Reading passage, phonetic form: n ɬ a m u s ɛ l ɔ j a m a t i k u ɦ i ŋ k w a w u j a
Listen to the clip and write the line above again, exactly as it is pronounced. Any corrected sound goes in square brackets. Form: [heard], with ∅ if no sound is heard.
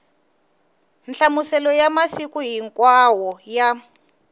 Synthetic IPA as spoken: n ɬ a m u s ɛ l ɔ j a m a [s] i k u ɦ i ŋ k w a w [ɔ] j a